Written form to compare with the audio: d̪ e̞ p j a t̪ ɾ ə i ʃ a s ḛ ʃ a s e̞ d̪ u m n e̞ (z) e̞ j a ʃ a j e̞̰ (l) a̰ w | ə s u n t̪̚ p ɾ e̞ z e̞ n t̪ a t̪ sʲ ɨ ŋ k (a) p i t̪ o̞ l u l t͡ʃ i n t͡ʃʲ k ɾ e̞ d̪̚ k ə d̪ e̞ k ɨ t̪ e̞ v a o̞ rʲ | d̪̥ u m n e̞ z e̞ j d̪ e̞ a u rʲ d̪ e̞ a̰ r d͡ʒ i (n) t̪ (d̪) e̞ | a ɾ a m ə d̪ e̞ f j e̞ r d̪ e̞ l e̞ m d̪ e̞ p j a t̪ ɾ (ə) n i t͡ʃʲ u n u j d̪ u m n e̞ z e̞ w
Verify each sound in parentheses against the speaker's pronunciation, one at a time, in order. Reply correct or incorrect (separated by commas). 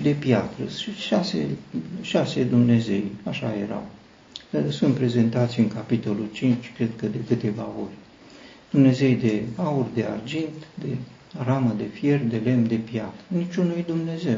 correct, incorrect, correct, correct, correct, correct